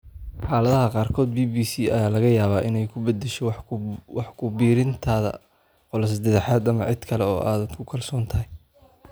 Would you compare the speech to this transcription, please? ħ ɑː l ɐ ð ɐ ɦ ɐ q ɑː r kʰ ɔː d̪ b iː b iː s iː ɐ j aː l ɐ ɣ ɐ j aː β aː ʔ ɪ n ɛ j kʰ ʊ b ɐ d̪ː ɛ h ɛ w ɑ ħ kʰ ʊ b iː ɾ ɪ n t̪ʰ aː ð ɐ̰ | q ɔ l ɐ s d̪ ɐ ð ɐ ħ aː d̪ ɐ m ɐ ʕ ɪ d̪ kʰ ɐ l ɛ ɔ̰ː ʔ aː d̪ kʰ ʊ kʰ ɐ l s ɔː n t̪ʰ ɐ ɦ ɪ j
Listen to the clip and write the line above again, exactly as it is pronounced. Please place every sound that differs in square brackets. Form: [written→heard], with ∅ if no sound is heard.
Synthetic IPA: ħ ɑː l ɐ ð ɐ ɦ ɐ q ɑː r kʰ ɔː d̪ b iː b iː s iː ɐ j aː l ɐ ɣ ɐ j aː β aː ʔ ɪ n ɛ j kʰ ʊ b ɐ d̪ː ɛ [h→ʃ] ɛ w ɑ ħ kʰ ʊ b iː ɾ ɪ n t̪ʰ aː ð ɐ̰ | q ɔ l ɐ s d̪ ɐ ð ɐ ħ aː d̪ ɐ m ɐ ʕ ɪ d̪ kʰ ɐ l ɛ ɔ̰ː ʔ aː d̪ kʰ ʊ kʰ ɐ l s ɔː n t̪ʰ ɐ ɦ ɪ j